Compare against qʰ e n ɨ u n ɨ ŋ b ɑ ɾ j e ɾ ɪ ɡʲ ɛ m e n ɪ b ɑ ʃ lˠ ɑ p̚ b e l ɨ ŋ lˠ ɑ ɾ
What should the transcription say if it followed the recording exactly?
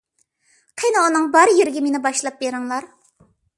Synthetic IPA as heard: qʰ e n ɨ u n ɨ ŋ b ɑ ɾ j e ɾ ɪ ɡʲ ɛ m e n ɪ b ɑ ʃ lˠ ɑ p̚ b e ɾ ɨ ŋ lˠ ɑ ɾ